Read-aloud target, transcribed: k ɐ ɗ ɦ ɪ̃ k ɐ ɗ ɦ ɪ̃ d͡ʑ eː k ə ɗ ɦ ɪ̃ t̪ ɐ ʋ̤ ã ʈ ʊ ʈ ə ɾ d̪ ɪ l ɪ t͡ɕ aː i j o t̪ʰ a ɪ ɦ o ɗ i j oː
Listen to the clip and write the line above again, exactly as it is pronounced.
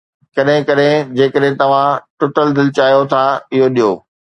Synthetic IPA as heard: k ɐ ɗ ɦ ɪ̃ k ɐ ɗ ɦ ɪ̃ d͡ʑ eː k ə ɗ ɦ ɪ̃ t̪ ɐ ʋ̤ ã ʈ ʊ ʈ ə l d̪ ɪ l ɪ t͡ɕ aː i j o t̪ʰ a ɪ ɦ o ɗ i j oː

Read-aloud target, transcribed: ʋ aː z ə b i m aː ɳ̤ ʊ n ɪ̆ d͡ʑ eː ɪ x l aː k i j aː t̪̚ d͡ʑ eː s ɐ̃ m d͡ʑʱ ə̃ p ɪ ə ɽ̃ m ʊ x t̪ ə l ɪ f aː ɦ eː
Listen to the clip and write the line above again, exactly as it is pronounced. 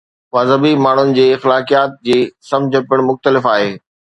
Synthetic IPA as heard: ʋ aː z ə b i m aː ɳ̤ ʊ n ɪ̆ d͡ʑ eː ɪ x l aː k i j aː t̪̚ d͡ʑ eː s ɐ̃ m d͡ʑʱ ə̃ p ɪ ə ɽ̃ m ʊ x t̪ ə l ɪ f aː ɦ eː

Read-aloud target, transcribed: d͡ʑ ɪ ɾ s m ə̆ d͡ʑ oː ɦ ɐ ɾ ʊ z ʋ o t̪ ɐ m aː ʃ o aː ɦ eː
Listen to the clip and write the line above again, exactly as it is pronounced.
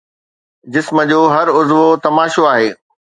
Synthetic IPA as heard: d͡ʑ ɪ s m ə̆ d͡ʑ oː ɦ ɐ ɾ ʊ z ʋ o t̪ ɐ m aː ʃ o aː ɦ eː

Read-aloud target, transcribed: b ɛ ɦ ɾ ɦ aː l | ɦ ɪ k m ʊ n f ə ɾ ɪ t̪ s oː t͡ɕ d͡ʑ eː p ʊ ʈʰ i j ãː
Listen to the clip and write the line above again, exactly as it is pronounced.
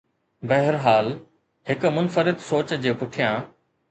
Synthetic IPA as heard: b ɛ ɦ ɾ ɦ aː l | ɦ ɪ k m ʊ n f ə ɾ ɪ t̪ s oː t͡ɕ d͡ʑ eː p ʊ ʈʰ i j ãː

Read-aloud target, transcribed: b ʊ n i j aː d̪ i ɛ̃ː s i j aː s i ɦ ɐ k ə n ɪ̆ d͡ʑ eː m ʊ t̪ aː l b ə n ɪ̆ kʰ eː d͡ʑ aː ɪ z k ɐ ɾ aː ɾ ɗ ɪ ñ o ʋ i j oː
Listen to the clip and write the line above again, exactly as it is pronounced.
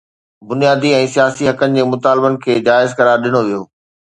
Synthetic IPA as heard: b ʊ n i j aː d̪ i ɛ̃ː s i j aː s i ɦ ɐ k ə n ɪ̆ d͡ʑ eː m ʊ t̪ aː l b ə n ɪ̆ kʰ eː d͡ʑ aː ɪ z k ɐ ɾ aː ɾ ɗ ɪ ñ o ʋ i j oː

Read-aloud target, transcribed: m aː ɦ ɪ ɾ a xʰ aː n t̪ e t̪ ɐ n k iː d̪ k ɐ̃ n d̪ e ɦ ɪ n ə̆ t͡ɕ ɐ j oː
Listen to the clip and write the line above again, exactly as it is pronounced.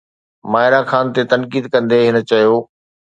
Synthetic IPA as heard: m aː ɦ ɪ ɾ a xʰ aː n t̪ e t̪ ɐ n k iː d̪ k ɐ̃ n d̪ e ɦ ɪ n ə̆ t͡ɕ ɐ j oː

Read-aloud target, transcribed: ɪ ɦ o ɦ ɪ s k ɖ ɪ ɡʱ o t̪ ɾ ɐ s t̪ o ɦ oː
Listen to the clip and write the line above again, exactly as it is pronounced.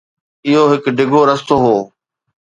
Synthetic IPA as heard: ɪ ɦ o ɦ ɪ k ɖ ɪ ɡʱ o ɾ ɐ s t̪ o ɦ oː

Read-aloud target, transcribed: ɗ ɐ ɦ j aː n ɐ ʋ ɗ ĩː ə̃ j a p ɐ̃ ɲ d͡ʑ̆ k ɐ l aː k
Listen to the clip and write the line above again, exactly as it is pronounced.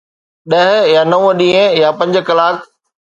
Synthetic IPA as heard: ɗ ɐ ɦ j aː n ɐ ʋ ɗ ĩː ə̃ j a p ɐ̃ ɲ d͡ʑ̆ k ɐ l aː k

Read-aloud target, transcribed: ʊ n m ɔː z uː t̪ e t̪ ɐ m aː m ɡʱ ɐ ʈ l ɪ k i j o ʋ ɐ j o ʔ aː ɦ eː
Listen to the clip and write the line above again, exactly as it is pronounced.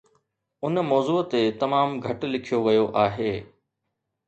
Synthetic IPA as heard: ʊ n m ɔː z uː t̪ e t̪ ɐ m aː m ɡʱ ɐ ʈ l ɪ kʰ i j o ʋ ɐ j o ʔ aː ɦ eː

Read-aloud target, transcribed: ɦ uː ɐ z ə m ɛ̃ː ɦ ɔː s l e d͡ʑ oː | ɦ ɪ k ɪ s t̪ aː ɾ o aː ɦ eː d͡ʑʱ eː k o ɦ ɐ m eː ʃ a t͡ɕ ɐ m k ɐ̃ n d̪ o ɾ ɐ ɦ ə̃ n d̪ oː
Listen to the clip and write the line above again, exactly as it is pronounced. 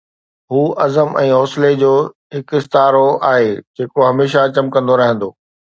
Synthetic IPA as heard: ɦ uː ɐ z ə m ɛ̃ː ɦ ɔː s l e d͡ʑ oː | ɦ ɪ k ɪ s t̪ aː ɾ o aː ɦ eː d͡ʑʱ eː k o ɦ ɐ m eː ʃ a t͡ɕ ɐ m k ɐ̃ n d̪ o ɾ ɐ ɦ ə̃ n d̪ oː

